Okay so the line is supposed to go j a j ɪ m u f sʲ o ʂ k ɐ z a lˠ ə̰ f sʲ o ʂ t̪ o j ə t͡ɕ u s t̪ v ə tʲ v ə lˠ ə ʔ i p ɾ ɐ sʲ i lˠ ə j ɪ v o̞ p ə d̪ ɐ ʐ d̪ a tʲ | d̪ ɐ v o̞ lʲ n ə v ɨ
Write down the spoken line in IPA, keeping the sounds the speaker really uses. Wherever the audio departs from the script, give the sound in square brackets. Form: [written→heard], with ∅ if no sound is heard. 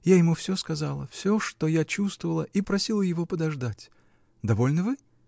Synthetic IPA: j a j ɪ m u f sʲ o [ʂ→s] k ɐ z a lˠ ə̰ f sʲ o ʂ t̪ o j [ə→a] t͡ɕ u s t̪ v ə [tʲ→∅] v ə lˠ ə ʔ i p ɾ ɐ sʲ i lˠ ə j ɪ v o̞ p ə d̪ ɐ ʐ d̪ a tʲ | d̪ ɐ v o̞ lʲ n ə v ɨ